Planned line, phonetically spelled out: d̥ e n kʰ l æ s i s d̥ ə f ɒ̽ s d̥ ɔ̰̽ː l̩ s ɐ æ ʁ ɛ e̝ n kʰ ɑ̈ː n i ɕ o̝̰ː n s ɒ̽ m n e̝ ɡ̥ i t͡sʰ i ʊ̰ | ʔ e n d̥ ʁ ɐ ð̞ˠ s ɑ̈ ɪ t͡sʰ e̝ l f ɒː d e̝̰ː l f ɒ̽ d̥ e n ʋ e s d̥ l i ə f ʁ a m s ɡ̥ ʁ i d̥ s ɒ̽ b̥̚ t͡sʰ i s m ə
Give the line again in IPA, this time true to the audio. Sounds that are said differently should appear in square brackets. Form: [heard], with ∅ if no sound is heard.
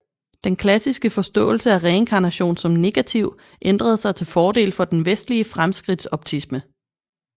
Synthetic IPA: d̥ e n kʰ l æ s i s [ɡ̥] ə f ɒ̽ s d̥ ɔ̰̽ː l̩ s [ə] æ ʁ ɛ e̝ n kʰ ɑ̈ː n [æ] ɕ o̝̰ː n s ɒ̽ m n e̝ ɡ̥ [æ] t͡sʰ i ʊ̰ | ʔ e n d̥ ʁ ɐ ð̞ˠ s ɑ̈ ɪ t͡sʰ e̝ l f ɒː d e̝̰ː l f ɒ̽ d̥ e n ʋ e s d̥ l i ə f ʁ a m s ɡ̥ ʁ i d̥ s ɒ̽ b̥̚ t͡sʰ i s m ə